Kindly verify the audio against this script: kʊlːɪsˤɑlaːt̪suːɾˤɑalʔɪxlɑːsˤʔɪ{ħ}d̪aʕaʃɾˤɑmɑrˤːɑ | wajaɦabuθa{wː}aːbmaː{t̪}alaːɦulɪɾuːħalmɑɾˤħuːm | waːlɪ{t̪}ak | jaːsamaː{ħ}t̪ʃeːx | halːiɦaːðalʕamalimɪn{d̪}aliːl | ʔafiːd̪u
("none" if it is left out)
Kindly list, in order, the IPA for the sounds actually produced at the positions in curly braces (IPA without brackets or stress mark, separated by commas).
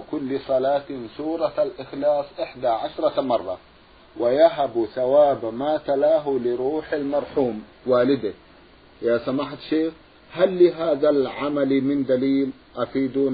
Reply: ħ, w, t̪, d̪, ħ, d̪